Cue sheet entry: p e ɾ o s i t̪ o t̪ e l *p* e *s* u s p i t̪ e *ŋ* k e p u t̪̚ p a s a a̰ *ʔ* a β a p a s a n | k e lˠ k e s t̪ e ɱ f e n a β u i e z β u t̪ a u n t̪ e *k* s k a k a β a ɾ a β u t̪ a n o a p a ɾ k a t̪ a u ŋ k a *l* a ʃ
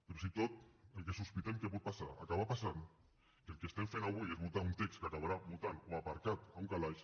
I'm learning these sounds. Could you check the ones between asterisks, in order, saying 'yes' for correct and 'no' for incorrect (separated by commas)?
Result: no, yes, no, no, yes, yes